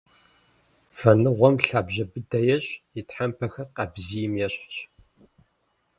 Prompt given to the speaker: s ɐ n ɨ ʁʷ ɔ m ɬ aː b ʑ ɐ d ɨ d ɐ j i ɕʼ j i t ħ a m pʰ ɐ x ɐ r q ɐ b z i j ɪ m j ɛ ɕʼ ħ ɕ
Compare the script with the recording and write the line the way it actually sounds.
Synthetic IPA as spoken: f ɐ n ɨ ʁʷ ɔ m ɬ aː b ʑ ɐ b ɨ d ɐ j ɛ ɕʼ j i t ħ a m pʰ ɐ x ɐ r q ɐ b z i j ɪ m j ɛ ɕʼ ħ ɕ